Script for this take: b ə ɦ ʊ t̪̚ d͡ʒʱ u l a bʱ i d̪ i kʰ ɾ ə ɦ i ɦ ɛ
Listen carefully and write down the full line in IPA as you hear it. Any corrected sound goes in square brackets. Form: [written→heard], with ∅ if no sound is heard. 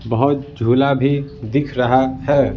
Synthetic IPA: b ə ɦ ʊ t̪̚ d͡ʒʱ u l a bʱ i d̪ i kʰ ɾ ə ɦ [i→a] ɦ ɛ

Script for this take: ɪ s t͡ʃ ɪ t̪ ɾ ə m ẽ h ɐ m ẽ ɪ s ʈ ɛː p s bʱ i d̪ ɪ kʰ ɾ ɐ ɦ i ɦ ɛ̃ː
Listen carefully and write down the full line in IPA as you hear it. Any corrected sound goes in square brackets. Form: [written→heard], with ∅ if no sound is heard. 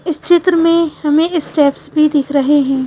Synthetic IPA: ɪ s t͡ʃ ɪ t̪ ɾ ə m ẽ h ɐ m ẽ ɪ s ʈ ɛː p s bʱ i d̪ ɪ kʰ ɾ ɐ ɦ [i→e] ɦ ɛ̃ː

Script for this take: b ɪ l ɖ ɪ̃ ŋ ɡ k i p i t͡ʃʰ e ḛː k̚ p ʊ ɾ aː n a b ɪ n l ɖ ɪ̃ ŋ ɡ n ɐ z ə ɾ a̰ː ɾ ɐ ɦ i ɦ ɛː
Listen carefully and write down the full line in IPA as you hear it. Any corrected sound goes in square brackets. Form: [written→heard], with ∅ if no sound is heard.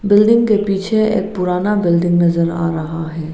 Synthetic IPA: b ɪ l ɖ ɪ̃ ŋ ɡ k [i→e] p [i→iː] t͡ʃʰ e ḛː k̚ p ʊ ɾ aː n a b ɪ [n→∅] l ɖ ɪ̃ ŋ ɡ n ɐ z ə ɾ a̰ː ɾ ɐ ɦ [i→a] ɦ ɛː

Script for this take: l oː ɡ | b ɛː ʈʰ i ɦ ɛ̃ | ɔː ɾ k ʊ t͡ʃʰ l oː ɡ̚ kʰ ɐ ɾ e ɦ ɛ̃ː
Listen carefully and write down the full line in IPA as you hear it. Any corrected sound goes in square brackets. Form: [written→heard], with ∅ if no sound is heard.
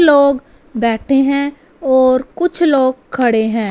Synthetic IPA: l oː ɡ | b ɛː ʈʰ [i→e] ɦ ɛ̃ | ɔː ɾ k ʊ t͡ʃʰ l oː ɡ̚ kʰ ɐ [ɾ→ɽ] e ɦ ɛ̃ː

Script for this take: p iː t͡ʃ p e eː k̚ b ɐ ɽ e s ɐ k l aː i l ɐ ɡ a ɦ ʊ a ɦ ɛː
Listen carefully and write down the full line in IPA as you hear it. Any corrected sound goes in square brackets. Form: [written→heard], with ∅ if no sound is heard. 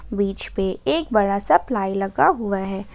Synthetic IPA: [p→b] iː t͡ʃ p e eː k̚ b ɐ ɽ [e→a] s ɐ [k→p] l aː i l ɐ ɡ a ɦ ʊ a ɦ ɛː

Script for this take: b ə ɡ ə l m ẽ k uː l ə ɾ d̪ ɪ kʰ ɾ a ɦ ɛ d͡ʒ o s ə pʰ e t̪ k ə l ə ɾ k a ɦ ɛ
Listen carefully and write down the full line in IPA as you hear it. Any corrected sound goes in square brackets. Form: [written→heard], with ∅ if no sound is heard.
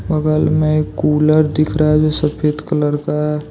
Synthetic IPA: b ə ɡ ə l m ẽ k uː l ə ɾ d̪ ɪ kʰ ɾ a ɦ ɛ d͡ʒ o s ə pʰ e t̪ k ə l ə ɾ k a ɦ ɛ

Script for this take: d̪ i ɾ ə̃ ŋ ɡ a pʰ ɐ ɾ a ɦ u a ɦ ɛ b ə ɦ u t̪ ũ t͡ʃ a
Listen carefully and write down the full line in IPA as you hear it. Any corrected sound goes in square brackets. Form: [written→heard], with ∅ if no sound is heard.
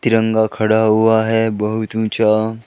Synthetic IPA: [d̪→t̪] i ɾ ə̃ ŋ ɡ a [pʰ→kʰ] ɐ [ɾ→ɽ] a ɦ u a ɦ ɛ b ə ɦ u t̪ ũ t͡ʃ a

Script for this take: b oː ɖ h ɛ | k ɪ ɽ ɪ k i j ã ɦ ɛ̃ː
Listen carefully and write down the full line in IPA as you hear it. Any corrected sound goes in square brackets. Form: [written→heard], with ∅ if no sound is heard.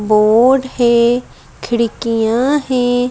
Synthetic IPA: b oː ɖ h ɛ | [k→kʰ] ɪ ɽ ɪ k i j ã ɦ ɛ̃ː

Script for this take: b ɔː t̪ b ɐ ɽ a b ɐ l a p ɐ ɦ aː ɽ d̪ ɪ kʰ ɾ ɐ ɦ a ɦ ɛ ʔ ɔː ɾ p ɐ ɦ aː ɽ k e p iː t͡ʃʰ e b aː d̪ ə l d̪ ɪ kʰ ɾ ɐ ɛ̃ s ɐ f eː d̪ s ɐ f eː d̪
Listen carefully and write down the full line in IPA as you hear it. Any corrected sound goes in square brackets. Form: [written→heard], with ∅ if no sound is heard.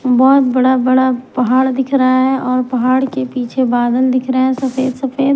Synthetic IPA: b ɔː t̪ b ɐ ɽ a b ɐ [l→ɽ] a p ɐ ɦ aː ɽ d̪ ɪ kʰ ɾ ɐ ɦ a ɦ ɛ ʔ ɔː ɾ p ɐ ɦ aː ɽ k e p iː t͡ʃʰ e b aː d̪ ə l d̪ ɪ kʰ ɾ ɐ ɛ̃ s ɐ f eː d̪ s ɐ f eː d̪

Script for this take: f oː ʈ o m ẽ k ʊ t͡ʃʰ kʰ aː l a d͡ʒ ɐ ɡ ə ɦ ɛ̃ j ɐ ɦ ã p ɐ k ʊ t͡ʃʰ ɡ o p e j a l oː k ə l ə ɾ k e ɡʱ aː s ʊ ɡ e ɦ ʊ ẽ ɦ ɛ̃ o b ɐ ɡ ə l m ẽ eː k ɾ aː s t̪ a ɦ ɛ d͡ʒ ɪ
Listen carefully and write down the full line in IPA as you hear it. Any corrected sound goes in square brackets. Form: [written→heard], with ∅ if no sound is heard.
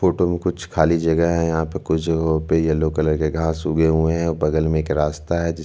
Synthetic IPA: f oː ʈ o m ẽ k ʊ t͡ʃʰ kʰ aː l [a→i] d͡ʒ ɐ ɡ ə ɦ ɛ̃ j ɐ ɦ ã p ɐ k ʊ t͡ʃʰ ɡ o p e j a l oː k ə l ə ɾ k e ɡʱ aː s ʊ ɡ e ɦ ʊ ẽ ɦ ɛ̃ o b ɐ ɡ ə l m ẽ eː k ɾ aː s t̪ a ɦ ɛ d͡ʒ ɪ

